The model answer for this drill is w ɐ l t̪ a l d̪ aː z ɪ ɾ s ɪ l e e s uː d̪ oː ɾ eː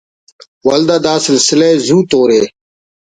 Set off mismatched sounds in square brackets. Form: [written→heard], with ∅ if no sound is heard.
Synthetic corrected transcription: w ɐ l [t̪→d̪] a [l→∅] d̪ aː [z→s] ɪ [ɾ→l] s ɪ l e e [s→z] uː [d̪→t̪] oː ɾ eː